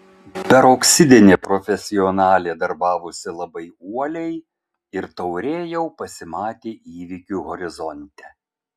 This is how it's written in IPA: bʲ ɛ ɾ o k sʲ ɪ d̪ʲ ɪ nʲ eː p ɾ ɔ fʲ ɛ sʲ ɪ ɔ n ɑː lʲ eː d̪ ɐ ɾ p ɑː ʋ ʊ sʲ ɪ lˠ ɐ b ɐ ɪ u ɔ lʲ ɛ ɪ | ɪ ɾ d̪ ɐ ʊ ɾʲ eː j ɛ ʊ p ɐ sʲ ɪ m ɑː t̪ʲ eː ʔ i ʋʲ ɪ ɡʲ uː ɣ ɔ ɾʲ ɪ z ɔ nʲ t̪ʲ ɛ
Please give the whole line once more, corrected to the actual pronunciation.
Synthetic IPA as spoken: pʲ ɛ ɾ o k sʲ ɪ d̪ʲ ɪ nʲ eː p ɾ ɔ fʲ ɛ sʲ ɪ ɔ n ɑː lʲ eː d̪ ɐ ɾ b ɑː ʋ ʊ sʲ ɪ lˠ ɐ b ɐ ɪ u ɔ lʲ ɛ ɪ | ɪ ɾ t̪ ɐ ʊ ɾʲ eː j ɛ ʊ p ɐ sʲ ɪ m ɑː t̪ʲ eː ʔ iː ʋʲ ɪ kʲ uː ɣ ɔ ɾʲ ɪ z ɔ nʲ t̪ʲ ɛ

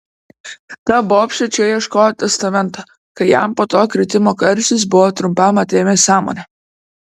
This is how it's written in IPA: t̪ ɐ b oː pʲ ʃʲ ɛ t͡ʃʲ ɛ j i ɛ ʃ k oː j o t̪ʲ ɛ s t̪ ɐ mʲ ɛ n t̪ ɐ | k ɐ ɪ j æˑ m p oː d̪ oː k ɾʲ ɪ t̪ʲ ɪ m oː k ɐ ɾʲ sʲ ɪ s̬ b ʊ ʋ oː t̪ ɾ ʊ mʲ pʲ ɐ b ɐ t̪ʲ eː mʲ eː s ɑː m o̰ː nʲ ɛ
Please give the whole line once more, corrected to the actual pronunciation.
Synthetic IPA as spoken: t̪ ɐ b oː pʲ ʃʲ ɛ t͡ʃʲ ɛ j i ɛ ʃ k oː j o t̪ʲ ɛ s t̪ ɐ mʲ ɛ n t̪ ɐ | k ɐ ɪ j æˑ m p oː t̪ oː k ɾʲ ɪ t̪ʲ ɪ m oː k ɐ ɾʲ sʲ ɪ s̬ b ʊ ʋ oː t̪ ɾ ʊ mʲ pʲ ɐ m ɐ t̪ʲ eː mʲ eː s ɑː m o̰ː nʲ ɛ

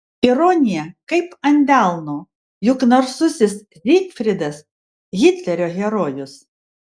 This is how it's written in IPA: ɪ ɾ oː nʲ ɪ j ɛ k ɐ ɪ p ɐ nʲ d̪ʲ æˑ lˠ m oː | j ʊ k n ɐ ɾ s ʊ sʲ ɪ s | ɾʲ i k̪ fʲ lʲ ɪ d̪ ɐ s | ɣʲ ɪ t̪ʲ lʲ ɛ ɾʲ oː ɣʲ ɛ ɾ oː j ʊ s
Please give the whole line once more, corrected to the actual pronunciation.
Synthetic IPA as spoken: ɪ ɾ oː nʲ ɪ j ɛ k ɐ ɪ p ɐ nʲ d̪ʲ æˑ lˠ n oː | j ʊ k n ɐ ɾ s ʊ sʲ ɪ s | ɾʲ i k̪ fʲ ɾʲ ɪ d̪ ɐ s | ɣʲ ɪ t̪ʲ lʲ ɛ ɾʲ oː ɣʲ ɛ ɾ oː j ʊ s

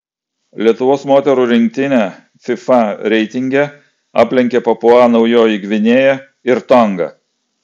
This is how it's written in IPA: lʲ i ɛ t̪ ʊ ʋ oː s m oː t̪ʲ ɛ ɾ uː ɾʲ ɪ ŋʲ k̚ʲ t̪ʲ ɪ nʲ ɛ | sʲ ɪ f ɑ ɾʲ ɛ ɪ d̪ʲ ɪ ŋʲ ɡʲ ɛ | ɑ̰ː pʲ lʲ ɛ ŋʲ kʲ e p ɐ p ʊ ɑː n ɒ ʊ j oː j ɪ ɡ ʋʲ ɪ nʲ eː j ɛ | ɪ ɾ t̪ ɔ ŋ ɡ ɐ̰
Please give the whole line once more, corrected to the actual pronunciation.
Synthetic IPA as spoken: lʲ i ɛ t̪ ʊ ʋ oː s m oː t̪ʲ ɛ ɾ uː ɾʲ ɪ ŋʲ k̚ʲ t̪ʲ ɪ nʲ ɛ | fʲ ɪ f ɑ ɾʲ ɛ ɪ t̪ʲ ɪ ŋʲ ɡʲ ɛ | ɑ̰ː pʲ lʲ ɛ ŋʲ kʲ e p ɐ p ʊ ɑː n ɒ ʊ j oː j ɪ ɡ ʋʲ ɪ nʲ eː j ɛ | ɪ ɾ t̪ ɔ ŋ ɡ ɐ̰

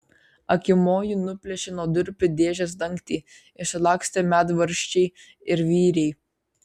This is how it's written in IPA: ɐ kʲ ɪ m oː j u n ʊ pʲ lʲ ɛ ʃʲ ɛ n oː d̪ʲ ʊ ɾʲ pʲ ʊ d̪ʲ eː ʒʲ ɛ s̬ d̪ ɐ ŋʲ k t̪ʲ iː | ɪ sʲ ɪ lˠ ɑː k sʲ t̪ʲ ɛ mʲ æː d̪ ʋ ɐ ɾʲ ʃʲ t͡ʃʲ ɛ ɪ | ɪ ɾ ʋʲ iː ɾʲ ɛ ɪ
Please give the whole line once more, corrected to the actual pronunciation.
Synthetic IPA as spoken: ɐ kʲ ɪ m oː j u n ʊ pʲ lʲ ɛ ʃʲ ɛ n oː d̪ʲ ʊ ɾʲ pʲ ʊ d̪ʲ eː ʒʲ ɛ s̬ d̪ ɐ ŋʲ k t̪ʲ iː | ɪ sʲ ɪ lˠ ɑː k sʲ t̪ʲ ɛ mʲ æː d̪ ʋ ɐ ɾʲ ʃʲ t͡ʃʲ ɛ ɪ | ɪ ɾ ʋʲ iː ɾʲ ɛ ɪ

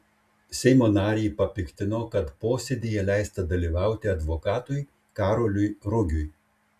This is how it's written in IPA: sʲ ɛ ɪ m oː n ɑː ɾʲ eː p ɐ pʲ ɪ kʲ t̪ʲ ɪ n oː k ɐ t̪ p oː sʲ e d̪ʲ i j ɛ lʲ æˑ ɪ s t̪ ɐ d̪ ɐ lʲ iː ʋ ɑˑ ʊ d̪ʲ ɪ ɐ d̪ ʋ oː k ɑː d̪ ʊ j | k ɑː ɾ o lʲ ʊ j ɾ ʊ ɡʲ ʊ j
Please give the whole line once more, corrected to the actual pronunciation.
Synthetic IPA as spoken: sʲ ɛ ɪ m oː n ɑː ɾʲ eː p ɐ pʲ ɪ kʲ t̪ʲ ɪ n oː k ɐ t̪ p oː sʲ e d̪ʲ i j ɛ lʲ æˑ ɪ s t̪ ɐ d̪ ɐ lʲ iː ʋ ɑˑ ʊ t̪ʲ ɪ ɐ d̪ ʋ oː k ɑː t̪ ʊ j | k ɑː ɾ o lʲ ʊ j ɾ ʊ ɡʲ ʊ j

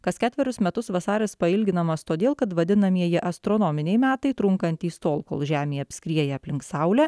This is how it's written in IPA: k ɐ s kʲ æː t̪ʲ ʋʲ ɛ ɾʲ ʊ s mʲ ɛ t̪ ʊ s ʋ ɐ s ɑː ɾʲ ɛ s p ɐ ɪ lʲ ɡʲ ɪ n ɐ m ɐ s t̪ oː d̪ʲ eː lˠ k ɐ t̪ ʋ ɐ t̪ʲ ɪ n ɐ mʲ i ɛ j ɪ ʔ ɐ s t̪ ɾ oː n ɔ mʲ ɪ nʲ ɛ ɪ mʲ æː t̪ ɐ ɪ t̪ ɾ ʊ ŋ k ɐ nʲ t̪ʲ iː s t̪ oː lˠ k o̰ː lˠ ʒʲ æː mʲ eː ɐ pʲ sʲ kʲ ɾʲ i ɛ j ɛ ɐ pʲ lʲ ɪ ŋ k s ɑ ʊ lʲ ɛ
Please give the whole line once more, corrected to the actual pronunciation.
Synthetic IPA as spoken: k ɐ s kʲ æː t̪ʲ ʋʲ ɛ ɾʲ ʊ s mʲ ɛ t̪ ʊ s ʋ ɐ s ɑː ɾʲ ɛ s p ɐ ɪ lʲ ɡʲ ɪ n ɐ m ɐ s t̪ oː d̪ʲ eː lˠ k ɐ t̪ ʋ ɐ d̪ʲ ɪ n ɐ mʲ i ɛ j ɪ ʔ ɐ s t̪ ɾ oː n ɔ mʲ ɪ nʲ ɛ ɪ mʲ æː t̪ ɐ ɪ t̪ ɾ ʊ ŋ k ɐ nʲ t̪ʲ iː s t̪ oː lˠ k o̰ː lˠ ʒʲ æː mʲ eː ɐ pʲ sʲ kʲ ɾʲ i ɛ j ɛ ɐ pʲ lʲ ɪ ŋ k s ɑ ʊ lʲ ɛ

